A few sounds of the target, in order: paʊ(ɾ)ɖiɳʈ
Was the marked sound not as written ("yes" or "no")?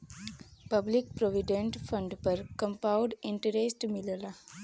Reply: yes